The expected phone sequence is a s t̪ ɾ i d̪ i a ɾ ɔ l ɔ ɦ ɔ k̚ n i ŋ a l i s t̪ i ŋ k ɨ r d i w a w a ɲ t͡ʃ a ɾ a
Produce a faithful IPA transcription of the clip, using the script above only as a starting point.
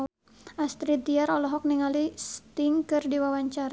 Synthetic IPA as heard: a s t̪ ɾ i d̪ i a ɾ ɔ l ɔ ɦ ɔ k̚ n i ŋ a l i s t̪ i ŋ k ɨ r d i w a w a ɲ t͡ʃ a ɾ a